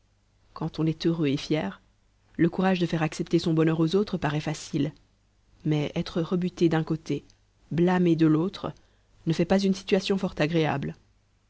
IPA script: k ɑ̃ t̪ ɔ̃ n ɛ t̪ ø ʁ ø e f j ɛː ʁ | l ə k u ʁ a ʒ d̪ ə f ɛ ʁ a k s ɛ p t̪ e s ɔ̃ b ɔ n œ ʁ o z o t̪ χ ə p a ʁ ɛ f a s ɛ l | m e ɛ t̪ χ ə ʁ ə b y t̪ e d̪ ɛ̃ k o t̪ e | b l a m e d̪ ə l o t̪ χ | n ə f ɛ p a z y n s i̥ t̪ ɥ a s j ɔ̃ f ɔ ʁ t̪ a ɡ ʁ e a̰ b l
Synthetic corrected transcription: k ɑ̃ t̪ ɔ̃ n ɛ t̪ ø ʁ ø e f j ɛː ʁ | l ə k u ʁ a ʒ d̪ ə f ɛ ʁ a k s ɛ p t̪ e s ɔ̃ b ɔ n œ ʁ o z o t̪ χ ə p a ʁ ɛ f a s i l | m ɛ ɛ t̪ χ ə ʁ ə b y t̪ e d̪ ɛ̃ k o t̪ e | b l a m e d̪ ə l o t̪ χ | n ə f ɛ p a z y n s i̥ t̪ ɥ a s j ɔ̃ f ɔ ʁ t̪ a ɡ ʁ e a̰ b l